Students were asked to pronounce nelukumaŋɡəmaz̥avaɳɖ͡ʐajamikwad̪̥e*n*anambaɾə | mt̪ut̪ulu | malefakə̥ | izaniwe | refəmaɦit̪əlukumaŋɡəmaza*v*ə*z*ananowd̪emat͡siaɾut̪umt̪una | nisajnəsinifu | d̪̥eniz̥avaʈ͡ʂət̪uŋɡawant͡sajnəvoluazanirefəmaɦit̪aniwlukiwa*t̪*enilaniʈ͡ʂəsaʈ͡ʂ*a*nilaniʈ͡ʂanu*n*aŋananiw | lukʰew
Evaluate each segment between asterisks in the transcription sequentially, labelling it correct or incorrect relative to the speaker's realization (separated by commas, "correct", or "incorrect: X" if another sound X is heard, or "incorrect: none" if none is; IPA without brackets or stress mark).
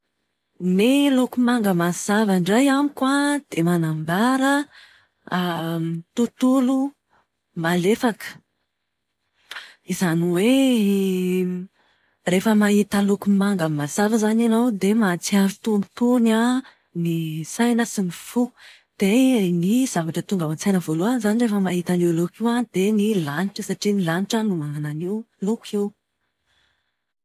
incorrect: m, correct, correct, incorrect: d̪, incorrect: i, incorrect: m